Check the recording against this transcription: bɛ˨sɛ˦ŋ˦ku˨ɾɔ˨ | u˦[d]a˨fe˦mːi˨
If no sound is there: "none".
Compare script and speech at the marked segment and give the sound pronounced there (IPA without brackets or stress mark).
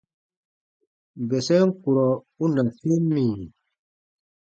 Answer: n